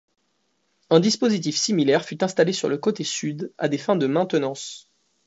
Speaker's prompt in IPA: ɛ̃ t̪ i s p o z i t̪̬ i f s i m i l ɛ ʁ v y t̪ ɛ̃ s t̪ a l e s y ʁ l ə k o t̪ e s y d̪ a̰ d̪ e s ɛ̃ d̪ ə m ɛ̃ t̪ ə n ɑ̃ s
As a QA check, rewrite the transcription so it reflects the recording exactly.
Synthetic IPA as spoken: ɛ̃ d̪ i s p o z i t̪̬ i f s i m i l ɛ ʁ f y t̪ ɛ̃ s t̪ a l e s y ʁ l ə k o t̪ e s y d̪ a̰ d̪ e f ɛ̃ d̪ ə m ɛ̃ t̪ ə n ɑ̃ s